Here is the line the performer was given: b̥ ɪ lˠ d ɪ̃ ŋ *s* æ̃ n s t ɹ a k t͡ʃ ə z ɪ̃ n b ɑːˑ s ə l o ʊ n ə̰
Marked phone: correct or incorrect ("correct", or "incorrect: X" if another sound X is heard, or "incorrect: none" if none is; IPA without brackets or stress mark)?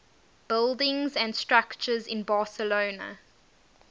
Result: incorrect: z